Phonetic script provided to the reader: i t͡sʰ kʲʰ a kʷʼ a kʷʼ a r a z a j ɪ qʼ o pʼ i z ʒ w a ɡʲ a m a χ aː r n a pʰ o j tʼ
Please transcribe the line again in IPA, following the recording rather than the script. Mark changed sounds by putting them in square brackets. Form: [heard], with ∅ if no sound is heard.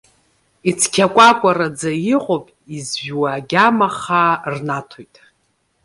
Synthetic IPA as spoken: i t͡sʰ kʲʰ a kʷʼ a kʷʼ a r a [d͡z] a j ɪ qʼ o pʼ i z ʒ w a ɡʲ a m a χ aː r n a [tʰ] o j tʼ